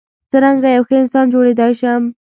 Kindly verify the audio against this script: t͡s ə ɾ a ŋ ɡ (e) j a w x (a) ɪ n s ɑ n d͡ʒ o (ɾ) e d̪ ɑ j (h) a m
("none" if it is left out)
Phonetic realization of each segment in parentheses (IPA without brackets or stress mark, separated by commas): a, ə, ɽ, ʃ